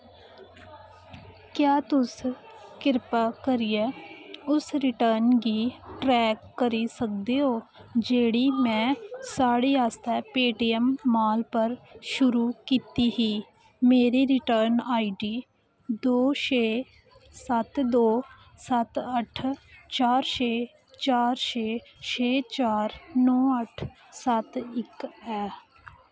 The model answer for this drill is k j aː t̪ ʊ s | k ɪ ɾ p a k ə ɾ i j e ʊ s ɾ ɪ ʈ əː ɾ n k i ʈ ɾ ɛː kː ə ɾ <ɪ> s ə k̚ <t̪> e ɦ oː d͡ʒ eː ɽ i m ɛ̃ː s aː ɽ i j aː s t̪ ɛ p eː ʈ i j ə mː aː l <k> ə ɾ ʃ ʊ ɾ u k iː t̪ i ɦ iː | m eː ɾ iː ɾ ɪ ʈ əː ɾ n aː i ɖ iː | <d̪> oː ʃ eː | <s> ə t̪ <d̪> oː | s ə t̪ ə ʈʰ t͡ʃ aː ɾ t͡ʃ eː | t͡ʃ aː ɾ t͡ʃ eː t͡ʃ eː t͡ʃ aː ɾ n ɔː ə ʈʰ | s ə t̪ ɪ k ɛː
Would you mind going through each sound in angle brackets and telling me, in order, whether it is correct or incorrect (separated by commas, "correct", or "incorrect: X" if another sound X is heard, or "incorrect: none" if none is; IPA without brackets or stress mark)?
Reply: incorrect: i, incorrect: d̪, incorrect: p, correct, correct, correct